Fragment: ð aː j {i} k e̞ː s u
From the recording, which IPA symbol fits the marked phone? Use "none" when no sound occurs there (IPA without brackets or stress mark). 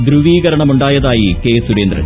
i